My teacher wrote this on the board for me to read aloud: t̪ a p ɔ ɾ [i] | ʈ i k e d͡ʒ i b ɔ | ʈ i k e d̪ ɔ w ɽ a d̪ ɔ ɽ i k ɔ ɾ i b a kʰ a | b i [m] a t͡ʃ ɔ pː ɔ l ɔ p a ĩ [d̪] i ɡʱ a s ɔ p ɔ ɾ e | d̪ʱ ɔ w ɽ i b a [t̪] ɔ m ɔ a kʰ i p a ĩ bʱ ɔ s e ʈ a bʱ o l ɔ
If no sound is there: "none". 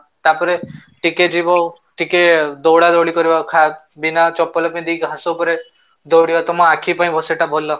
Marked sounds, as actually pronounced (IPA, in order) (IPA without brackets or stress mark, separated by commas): e, n, d̪, t̪